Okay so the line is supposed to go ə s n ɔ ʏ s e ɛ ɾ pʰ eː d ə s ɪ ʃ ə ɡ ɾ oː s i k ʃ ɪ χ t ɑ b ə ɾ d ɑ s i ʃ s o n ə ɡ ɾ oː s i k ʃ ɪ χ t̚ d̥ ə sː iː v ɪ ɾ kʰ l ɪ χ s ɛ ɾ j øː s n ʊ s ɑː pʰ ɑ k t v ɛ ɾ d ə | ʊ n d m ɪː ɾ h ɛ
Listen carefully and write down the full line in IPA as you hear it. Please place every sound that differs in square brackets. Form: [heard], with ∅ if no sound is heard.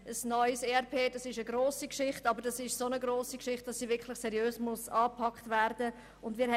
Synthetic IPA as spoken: ə s n ɔ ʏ s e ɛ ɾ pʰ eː d [ɑ] s ɪ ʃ ə ɡ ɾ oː s i k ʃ ɪ χ t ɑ b ə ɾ d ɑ s [ɪ] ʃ s o n ə ɡ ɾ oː s i k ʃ ɪ χ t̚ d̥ [ɑ] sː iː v ɪ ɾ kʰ l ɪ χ s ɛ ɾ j øː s [m] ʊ s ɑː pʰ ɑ k t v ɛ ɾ d ə | ʊ n d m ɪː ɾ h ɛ